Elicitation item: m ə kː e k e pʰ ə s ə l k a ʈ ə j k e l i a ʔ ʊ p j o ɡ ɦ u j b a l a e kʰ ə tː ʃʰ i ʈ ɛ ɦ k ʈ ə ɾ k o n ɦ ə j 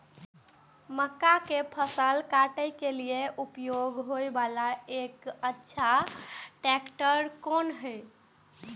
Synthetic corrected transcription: m ə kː a k e pʰ ə s ə l k a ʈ ə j k e l i e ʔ u p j o ɡ ɦ o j b a l a e k ə tː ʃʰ a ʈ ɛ k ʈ ə ɾ k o n ɦ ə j